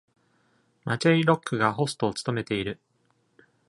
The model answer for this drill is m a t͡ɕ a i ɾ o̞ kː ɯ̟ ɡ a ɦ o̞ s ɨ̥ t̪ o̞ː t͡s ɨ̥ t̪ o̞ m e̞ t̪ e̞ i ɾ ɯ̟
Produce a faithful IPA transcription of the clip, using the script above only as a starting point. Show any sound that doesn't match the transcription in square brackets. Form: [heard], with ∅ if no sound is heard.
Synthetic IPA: m a t͡ɕ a i ɾ o̞ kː ɯ̟ ɡ a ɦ o̞ s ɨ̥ t̪ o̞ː t͡s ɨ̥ t̪ o̞ m e̞ t̪ e̞ i ɾ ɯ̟